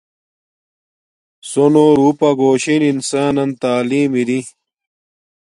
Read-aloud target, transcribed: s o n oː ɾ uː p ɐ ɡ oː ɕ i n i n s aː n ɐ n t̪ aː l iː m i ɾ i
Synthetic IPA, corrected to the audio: s o n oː ɾ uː p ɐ ɡ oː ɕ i n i n s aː n ɐ n t̪ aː l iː m i ɾ i

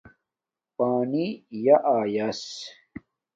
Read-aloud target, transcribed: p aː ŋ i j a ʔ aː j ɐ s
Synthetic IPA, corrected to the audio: p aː n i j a ʔ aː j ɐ s

